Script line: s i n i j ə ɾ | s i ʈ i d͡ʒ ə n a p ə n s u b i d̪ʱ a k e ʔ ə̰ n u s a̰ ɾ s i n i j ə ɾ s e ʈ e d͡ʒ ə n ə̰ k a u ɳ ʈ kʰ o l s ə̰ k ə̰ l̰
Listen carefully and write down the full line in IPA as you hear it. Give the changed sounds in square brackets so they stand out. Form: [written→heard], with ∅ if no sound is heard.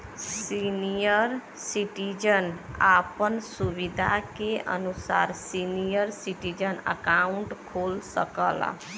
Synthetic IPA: s i n i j ə ɾ | s i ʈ i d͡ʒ ə n a p ə n s u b i d̪ʱ a k e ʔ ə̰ n u s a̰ ɾ s i n i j ə ɾ s [e→i] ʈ [e→i] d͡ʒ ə n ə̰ k a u ɳ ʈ kʰ o l s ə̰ k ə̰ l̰